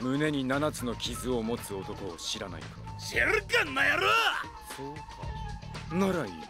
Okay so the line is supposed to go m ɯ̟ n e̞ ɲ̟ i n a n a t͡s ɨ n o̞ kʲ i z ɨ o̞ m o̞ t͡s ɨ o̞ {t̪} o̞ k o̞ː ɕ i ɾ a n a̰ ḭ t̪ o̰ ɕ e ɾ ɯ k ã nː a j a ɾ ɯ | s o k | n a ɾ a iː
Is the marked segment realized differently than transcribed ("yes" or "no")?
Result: no